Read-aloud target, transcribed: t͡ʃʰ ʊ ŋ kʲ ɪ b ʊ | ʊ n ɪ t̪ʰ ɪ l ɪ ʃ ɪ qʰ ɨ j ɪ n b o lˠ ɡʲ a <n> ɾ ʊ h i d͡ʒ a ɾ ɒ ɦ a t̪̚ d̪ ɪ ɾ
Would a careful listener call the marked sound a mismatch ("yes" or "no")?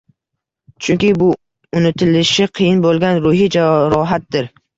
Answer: no